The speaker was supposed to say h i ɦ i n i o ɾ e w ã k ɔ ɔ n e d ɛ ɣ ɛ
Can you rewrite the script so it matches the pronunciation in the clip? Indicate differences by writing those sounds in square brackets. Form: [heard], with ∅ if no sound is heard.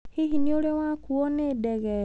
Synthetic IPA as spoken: h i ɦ i n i o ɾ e w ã k [u] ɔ n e d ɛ ɣ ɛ